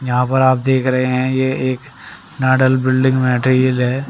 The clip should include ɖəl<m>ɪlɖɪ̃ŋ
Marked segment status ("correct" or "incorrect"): incorrect